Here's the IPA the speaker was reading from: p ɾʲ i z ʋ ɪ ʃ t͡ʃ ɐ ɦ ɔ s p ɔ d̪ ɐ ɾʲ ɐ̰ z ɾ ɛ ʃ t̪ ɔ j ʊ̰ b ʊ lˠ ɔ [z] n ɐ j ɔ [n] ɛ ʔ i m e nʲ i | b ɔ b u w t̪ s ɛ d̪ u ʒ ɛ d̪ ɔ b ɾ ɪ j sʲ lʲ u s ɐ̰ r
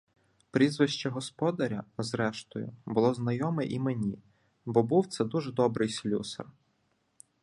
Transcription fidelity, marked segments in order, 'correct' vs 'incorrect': correct, incorrect: m

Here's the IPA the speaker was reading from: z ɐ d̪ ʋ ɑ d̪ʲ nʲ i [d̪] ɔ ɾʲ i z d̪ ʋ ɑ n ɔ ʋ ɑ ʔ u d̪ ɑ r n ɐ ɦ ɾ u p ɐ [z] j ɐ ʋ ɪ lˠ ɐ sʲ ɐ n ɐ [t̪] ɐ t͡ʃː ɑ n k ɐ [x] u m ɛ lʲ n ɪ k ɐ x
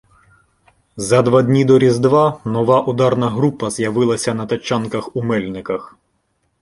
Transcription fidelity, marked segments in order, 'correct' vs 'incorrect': correct, correct, correct, correct

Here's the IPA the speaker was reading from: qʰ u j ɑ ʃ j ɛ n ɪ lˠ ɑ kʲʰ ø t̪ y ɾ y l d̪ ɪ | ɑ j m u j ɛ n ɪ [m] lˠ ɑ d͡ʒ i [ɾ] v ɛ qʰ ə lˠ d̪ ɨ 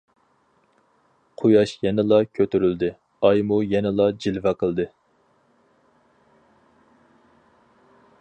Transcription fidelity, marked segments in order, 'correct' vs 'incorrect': incorrect: none, incorrect: l

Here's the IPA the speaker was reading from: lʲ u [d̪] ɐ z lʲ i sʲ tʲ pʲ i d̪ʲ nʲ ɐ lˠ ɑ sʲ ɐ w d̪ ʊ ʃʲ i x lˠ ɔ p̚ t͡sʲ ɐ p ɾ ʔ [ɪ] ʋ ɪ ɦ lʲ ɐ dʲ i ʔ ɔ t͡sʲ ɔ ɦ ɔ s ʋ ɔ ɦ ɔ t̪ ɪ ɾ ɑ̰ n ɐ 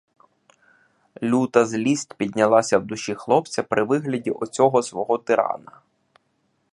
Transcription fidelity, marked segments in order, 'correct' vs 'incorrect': incorrect: t̪, correct

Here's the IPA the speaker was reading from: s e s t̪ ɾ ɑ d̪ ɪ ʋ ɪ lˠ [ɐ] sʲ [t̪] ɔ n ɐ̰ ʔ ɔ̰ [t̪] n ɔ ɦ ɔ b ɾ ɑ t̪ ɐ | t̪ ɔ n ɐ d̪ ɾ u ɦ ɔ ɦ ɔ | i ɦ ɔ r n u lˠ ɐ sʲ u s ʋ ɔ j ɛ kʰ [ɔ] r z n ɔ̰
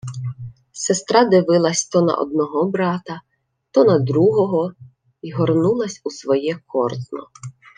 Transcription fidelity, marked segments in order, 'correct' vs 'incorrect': correct, correct, incorrect: d̪, correct

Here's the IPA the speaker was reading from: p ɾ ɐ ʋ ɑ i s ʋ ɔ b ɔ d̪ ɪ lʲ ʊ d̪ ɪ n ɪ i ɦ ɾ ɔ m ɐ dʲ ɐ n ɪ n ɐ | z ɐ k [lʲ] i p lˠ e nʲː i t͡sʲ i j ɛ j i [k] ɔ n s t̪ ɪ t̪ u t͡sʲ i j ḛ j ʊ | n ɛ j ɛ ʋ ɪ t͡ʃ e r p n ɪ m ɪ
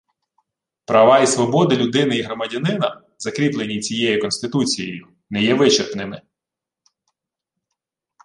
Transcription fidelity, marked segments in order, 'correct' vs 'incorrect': incorrect: ɾʲ, correct

